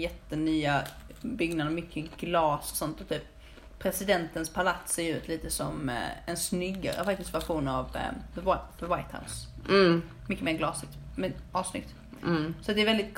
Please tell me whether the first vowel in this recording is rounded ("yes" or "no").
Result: no